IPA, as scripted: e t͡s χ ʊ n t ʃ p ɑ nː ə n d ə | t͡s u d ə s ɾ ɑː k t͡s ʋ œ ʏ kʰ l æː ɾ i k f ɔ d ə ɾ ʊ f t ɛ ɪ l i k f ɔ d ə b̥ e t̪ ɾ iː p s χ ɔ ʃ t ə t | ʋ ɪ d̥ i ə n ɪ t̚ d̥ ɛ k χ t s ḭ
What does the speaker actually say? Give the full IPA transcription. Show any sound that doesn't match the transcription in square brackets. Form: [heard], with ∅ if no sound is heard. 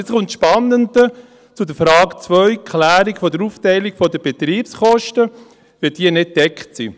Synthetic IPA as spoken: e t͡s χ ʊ n t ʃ p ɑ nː ə n d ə | t͡s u d ə [f] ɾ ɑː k t͡s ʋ œ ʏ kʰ l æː ɾ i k f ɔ d ə ɾ [u] f t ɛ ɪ l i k f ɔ d ə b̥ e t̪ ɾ iː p s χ ɔ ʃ t ə [∅] | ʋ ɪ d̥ i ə n ɪ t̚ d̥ ɛ k χ t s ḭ